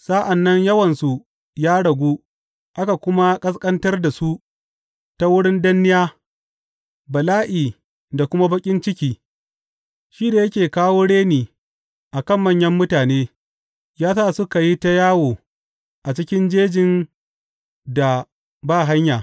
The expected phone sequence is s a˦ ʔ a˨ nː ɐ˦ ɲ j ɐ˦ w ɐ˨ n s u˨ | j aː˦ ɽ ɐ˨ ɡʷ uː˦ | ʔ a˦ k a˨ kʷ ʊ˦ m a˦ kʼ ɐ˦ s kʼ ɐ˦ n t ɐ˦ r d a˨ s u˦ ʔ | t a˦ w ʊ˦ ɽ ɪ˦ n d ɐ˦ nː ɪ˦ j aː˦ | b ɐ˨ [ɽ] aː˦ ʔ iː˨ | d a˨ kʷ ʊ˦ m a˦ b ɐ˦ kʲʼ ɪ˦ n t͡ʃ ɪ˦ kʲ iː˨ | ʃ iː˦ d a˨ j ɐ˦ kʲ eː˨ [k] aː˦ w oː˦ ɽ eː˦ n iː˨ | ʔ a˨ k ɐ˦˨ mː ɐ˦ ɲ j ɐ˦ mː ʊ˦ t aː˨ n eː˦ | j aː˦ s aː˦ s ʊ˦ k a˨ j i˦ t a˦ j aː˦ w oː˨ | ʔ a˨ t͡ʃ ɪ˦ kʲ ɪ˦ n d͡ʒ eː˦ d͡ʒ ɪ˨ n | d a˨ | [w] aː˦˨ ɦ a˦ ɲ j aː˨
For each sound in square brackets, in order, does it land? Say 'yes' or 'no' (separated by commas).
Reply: no, yes, no